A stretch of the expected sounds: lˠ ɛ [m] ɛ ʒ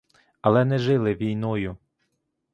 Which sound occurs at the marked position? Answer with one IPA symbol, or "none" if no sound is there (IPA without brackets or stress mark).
n